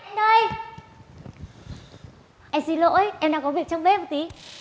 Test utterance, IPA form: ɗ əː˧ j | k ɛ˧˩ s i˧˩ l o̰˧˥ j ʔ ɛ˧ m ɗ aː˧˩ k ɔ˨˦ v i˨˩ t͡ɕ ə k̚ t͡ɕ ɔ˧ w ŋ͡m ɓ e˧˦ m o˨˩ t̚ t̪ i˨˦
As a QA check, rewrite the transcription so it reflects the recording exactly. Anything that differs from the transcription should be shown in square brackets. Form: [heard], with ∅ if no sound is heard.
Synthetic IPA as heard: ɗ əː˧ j | [ʔ] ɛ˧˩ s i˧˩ l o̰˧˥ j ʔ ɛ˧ m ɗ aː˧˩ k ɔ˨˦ v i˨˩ [∅] ə k̚ t͡ɕ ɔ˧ w ŋ͡m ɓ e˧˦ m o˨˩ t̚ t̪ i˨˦

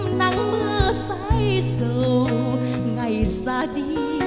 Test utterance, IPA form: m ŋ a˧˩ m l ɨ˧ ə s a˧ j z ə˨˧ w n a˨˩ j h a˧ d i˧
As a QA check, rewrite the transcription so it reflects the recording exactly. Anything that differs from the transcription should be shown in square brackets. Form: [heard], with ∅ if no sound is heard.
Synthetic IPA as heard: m [n] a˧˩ [ŋ] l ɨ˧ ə s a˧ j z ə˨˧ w [ŋ] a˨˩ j [s] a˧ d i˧

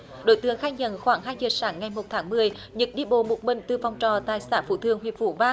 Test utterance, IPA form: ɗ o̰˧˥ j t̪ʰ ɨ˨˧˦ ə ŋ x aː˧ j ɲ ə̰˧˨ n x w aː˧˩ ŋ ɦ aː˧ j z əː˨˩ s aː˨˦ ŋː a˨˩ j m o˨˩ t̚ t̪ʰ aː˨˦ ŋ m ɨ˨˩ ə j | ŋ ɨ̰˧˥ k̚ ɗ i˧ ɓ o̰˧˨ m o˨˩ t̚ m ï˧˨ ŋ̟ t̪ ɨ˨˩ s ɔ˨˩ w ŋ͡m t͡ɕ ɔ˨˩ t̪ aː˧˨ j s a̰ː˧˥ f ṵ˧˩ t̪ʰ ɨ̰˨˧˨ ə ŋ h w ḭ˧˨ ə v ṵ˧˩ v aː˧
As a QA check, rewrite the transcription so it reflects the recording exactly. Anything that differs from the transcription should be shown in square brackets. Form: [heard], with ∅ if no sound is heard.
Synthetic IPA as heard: ɗ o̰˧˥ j [t̪] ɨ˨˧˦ ə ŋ x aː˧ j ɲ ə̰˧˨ n x w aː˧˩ ŋ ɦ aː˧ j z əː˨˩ s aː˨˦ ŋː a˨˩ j m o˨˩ t̚ t̪ʰ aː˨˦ ŋ m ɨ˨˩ ə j | [ɲ] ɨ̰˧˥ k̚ ɗ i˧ ɓ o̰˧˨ m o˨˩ t̚ m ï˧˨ ŋ̟ t̪ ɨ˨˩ [f] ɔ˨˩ w ŋ͡m t͡ɕ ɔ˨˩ t̪ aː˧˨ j s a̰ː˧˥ f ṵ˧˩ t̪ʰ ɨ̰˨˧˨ ə ŋ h w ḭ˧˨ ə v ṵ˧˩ v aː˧

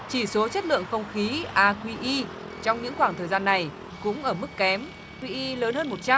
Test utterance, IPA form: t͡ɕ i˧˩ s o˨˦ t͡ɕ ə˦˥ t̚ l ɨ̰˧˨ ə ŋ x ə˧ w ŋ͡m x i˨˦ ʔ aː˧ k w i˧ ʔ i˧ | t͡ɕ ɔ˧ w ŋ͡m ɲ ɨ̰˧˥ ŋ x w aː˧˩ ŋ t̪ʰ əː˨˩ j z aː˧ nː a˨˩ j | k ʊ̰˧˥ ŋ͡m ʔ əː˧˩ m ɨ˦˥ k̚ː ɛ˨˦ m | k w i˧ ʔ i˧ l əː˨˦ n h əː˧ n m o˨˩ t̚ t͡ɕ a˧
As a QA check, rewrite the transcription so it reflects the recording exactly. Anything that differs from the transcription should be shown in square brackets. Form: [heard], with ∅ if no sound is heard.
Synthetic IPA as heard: t͡ɕ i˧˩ s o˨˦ t͡ɕ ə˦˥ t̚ l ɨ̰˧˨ ə ŋ x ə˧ w ŋ͡m x i˨˦ ʔ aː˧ k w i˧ ʔ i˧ | t͡ɕ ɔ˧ w ŋ͡m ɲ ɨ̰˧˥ ŋ x w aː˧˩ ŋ t̪ʰ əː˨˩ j z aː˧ nː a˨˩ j | k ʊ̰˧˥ ŋ͡m ʔ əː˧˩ m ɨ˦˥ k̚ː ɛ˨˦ m | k w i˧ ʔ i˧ l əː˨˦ n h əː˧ n m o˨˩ t̚ t͡ɕ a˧

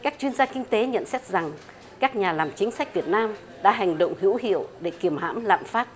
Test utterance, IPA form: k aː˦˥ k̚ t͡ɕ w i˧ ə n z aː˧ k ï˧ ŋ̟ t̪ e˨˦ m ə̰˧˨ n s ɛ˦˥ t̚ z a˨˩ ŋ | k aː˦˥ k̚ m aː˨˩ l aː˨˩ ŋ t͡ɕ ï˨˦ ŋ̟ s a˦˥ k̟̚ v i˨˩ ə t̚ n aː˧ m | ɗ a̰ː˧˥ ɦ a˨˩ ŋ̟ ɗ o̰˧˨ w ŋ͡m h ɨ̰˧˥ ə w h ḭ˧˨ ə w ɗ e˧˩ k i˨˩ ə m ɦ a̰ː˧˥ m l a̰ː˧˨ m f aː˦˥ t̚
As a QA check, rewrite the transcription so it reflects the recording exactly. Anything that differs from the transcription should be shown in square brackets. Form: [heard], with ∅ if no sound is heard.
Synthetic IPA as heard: k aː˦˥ k̚ t͡ɕ w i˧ ə n z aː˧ k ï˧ ŋ̟ t̪ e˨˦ [ɲ] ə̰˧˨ n s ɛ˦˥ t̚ z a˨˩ ŋ | k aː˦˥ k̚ [ɲ] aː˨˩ l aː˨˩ [m] t͡ɕ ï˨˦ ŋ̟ s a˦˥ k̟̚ v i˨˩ ə t̚ n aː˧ m | ɗ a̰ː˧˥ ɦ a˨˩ ŋ̟ ɗ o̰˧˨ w ŋ͡m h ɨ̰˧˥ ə w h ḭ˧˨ ə w ɗ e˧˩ k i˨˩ ə m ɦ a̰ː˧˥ m l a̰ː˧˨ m f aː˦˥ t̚

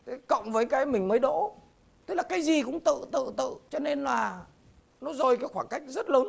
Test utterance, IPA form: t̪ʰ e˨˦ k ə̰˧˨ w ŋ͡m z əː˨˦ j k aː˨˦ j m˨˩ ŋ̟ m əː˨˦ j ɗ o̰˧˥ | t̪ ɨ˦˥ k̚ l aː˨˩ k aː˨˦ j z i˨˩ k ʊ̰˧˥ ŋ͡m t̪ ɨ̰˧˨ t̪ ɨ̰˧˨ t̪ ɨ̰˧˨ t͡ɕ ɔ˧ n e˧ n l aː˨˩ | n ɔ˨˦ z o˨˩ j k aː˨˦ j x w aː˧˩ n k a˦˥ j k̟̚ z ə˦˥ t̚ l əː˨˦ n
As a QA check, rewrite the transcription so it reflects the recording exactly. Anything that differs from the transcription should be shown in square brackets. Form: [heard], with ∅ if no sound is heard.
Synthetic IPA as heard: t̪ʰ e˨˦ k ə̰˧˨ w ŋ͡m [v] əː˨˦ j k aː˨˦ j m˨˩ ŋ̟ m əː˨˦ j ɗ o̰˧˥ | t̪ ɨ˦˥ k̚ l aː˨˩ k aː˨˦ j z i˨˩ k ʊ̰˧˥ ŋ͡m t̪ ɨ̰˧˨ t̪ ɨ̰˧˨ t̪ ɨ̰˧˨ t͡ɕ ɔ˧ n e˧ n l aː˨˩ | n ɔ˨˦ z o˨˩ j k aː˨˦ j x w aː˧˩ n k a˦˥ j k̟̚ z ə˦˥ t̚ l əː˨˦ n

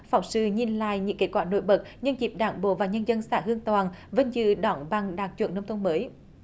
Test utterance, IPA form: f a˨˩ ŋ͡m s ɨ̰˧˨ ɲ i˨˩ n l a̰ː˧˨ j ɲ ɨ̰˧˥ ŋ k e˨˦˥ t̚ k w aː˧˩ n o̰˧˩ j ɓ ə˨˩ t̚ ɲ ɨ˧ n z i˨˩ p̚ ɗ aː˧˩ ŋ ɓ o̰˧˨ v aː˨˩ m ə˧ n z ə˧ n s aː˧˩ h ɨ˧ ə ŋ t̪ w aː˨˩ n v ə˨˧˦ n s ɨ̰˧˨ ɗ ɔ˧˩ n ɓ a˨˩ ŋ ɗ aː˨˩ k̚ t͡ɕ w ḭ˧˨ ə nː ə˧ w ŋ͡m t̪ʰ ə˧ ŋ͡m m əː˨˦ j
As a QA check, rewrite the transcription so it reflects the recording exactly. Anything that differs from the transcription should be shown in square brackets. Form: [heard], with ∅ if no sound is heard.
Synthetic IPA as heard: f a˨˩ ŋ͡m s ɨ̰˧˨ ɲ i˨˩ n l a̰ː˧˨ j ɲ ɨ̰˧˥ ŋ k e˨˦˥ t̚ k w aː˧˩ n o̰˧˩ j ɓ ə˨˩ t̚ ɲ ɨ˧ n z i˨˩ p̚ ɗ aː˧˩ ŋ ɓ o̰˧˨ v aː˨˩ [ɲ] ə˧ n z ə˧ n s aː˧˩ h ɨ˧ ə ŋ t̪ w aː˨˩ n v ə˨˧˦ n [z] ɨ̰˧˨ ɗ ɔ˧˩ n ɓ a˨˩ ŋ ɗ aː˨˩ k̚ t͡ɕ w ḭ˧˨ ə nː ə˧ w ŋ͡m t̪ʰ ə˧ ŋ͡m m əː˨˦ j

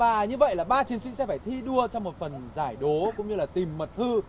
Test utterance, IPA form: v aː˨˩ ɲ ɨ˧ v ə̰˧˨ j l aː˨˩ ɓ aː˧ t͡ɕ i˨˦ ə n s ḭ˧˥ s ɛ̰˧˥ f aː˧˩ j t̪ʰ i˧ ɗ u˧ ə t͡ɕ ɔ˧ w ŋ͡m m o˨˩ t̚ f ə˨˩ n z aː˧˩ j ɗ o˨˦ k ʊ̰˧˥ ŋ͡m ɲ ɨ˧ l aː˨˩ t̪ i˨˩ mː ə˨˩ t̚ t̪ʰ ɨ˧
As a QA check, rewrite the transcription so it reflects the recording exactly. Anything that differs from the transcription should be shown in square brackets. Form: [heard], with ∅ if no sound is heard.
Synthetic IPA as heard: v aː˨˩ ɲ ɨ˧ v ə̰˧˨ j l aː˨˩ ɓ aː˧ t͡ɕ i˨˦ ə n s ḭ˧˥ s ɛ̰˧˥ f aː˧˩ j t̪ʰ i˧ ɗ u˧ ə t͡ɕ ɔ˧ w ŋ͡m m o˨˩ t̚ f ə˨˩ n z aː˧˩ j ɗ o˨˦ k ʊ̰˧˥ ŋ͡m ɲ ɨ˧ l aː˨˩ t̪ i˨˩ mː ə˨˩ t̚ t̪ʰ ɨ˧

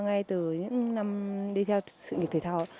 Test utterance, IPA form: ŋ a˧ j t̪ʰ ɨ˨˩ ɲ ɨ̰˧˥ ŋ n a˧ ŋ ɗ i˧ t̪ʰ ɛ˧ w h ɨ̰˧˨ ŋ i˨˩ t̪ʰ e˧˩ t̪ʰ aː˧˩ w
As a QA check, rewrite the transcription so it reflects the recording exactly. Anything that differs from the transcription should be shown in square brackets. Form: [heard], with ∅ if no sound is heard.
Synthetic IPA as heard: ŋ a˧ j [t̪] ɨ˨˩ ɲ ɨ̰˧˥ ŋ n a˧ [m] ɗ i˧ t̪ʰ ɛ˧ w [s] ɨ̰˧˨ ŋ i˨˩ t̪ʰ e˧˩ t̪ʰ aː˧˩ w

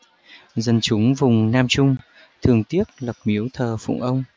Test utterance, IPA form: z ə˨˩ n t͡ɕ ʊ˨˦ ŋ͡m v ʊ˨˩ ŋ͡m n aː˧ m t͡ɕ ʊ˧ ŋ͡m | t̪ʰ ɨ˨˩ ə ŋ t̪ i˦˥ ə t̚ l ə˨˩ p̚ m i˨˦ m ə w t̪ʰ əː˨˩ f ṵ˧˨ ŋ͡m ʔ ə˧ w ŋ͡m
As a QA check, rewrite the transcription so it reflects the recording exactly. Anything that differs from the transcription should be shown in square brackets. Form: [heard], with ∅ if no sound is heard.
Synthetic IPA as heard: z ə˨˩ n t͡ɕ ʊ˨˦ ŋ͡m v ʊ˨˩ ŋ͡m n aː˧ m t͡ɕ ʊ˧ ŋ͡m | t̪ʰ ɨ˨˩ ə ŋ t̪ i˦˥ ə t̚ l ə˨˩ p̚ m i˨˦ [∅] ə w t̪ʰ əː˨˩ f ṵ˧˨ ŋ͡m ʔ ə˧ w ŋ͡m

